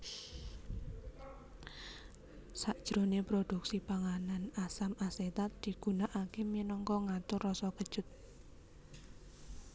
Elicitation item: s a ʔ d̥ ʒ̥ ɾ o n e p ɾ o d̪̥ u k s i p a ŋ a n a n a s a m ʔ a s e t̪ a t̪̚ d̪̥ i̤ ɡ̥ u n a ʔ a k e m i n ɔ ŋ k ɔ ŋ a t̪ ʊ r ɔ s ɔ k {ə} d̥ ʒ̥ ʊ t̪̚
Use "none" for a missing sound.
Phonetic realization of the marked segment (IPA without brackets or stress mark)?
ə